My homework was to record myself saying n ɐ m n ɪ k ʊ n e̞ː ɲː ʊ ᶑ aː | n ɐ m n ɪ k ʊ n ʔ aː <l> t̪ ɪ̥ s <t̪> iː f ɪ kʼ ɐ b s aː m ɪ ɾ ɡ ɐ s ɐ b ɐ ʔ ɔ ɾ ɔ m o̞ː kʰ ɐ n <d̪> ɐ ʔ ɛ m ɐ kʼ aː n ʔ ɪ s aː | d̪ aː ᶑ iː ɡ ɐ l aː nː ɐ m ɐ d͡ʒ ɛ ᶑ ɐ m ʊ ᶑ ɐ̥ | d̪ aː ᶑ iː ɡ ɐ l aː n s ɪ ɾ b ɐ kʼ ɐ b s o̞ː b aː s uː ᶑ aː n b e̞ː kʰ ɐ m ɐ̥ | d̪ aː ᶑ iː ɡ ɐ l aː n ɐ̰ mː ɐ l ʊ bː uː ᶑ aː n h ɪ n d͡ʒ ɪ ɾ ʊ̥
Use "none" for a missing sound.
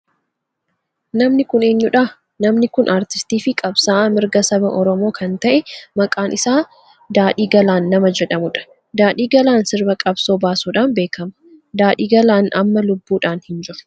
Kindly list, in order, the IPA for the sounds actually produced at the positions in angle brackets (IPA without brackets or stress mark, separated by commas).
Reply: ɾ, t̪, t̪